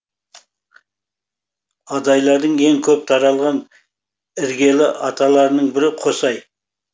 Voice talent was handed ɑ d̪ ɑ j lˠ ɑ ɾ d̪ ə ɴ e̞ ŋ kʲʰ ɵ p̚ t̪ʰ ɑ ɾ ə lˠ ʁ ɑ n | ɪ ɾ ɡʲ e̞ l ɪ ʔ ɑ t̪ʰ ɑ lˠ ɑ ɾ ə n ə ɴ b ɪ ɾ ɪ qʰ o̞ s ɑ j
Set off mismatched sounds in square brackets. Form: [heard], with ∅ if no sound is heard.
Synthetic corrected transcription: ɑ d̪ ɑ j lˠ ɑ ɾ d̪ ə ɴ e̞ ŋ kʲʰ ɵ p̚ t̪ʰ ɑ ɾ [ɑ] lˠ ʁ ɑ n | ɪ ɾ ɡʲ e̞ l ɪ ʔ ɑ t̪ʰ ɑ lˠ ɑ ɾ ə n ə ɴ b ɪ ɾ ɪ qʰ o̞ s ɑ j